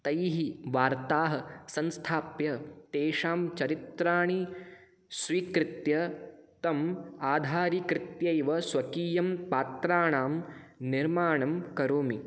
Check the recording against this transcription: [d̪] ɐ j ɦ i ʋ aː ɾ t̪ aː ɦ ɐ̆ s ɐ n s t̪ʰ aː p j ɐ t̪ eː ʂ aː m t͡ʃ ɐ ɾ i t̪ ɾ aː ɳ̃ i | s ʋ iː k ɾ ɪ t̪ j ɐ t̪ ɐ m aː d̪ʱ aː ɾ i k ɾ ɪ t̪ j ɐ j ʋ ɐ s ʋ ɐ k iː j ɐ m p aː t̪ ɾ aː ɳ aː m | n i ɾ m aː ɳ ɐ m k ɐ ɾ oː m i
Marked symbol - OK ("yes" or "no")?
no